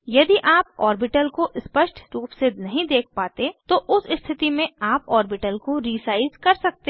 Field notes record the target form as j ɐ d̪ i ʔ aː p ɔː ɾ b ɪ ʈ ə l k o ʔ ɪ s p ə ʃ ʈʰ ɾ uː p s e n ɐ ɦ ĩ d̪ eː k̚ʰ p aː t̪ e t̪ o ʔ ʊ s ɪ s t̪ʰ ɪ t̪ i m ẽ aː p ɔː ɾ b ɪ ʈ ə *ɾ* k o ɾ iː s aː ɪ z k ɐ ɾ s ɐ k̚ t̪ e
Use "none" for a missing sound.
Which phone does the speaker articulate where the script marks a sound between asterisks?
l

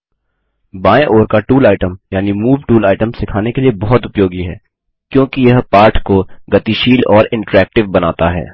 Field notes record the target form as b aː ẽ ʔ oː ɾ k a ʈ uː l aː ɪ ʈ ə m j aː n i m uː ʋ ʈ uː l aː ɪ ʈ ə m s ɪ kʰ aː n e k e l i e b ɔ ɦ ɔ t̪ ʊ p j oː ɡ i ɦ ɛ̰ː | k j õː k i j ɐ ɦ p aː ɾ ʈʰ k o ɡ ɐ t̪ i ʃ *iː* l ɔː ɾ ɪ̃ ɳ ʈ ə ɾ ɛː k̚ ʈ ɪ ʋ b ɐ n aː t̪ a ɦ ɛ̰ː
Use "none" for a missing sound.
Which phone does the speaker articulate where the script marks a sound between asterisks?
iː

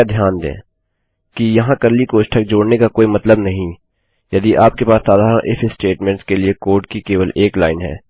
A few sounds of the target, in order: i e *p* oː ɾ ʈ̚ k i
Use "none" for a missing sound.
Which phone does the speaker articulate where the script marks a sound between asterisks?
k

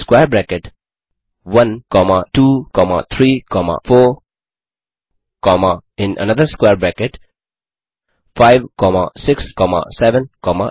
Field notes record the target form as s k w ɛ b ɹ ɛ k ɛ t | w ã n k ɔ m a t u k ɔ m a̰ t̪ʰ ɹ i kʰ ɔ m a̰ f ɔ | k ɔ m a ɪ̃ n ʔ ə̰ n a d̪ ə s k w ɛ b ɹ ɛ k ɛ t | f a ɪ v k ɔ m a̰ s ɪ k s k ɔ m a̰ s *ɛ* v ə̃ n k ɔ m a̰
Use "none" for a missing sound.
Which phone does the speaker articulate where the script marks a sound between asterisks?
ɛ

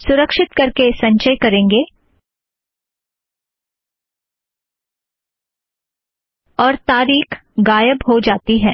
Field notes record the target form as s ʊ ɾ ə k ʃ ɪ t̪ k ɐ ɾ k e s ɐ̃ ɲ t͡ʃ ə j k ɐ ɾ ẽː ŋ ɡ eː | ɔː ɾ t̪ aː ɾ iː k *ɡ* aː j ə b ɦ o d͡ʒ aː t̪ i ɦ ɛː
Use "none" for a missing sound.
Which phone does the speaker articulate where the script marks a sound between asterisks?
ɡ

